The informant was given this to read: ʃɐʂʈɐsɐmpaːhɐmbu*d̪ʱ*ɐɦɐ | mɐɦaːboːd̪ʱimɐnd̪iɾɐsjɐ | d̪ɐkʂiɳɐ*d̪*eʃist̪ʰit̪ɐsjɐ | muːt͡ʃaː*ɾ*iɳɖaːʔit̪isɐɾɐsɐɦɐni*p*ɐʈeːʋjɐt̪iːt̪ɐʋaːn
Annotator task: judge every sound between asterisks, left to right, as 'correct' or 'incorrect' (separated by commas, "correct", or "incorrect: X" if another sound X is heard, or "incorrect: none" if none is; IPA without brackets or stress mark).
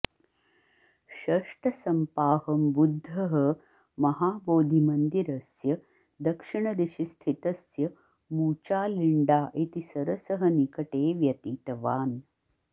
incorrect: d̪ʱː, correct, incorrect: l, incorrect: k